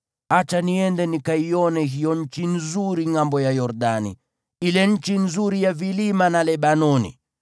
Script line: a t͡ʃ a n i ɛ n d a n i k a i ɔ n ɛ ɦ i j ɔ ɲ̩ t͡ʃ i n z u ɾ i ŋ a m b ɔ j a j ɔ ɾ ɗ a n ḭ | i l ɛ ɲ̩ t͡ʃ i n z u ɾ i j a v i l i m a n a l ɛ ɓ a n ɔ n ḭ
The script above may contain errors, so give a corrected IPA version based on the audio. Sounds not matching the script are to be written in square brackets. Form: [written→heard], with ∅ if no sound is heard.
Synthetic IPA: a t͡ʃ a n i ɛ n d [a→ɛ] n i k a i ɔ n ɛ ɦ i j ɔ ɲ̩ t͡ʃ i n z u ɾ i ŋ a m b ɔ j a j ɔ ɾ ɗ a n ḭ | i l ɛ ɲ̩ t͡ʃ i n z u ɾ i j a v i l i m a n a l ɛ ɓ a n ɔ n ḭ

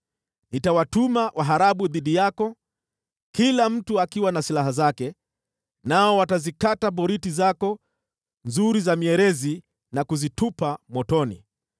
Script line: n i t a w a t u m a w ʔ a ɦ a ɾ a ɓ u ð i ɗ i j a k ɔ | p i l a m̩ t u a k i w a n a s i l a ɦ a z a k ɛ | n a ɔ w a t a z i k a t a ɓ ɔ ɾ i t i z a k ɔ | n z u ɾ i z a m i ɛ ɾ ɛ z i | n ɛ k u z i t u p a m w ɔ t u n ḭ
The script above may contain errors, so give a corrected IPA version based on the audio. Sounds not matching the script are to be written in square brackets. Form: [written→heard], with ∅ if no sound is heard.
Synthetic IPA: n i t a w a t u m a w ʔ a ɦ a ɾ a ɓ u ð i ɗ i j a k ɔ | [p→k] i l a m̩ t u a k i w a n a s i l a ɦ a z a k ɛ | n a ɔ w a t a z i k a t a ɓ ɔ ɾ i t i z a k ɔ | n z u ɾ i z a m i ɛ ɾ ɛ z i | n [ɛ→a] k u z i t u p a m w ɔ t [u→ɔ] n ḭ

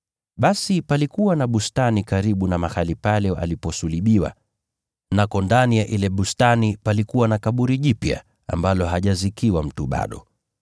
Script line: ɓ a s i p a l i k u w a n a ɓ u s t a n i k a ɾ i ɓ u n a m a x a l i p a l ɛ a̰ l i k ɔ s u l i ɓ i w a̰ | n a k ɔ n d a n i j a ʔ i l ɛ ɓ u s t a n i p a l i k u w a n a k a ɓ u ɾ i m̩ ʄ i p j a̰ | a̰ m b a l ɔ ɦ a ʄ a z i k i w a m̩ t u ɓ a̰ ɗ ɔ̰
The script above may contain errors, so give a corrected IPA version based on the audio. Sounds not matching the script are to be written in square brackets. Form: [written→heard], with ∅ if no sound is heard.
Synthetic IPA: ɓ a s i p a l i k u w a n a ɓ u s t a n i k a ɾ i ɓ u n a m a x a l i p a l ɛ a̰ l i [k→p] ɔ s u l i ɓ i w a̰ | n a k ɔ n d a n i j a ʔ i l ɛ ɓ u s t a n i p a l i k u w a n a k a ɓ u ɾ i [m̩→∅] ʄ i p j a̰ | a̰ m b a l ɔ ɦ a ʄ a z i k i w a m̩ t u ɓ a̰ ɗ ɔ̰

